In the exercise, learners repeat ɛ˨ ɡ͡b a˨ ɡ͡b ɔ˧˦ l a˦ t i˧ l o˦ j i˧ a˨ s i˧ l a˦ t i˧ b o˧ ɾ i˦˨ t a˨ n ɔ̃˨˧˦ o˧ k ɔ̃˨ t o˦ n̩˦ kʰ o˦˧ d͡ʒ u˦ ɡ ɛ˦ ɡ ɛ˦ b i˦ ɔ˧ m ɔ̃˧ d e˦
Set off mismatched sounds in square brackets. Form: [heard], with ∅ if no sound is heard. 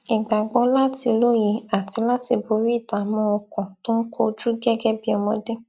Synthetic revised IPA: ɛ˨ ɡ͡b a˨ ɡ͡b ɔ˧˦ l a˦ t i˧ l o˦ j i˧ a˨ [t] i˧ l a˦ t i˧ b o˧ ɾ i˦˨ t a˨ [m] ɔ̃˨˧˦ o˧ k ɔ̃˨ t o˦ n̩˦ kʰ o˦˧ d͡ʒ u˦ ɡ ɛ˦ ɡ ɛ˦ b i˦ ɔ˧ m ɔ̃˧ d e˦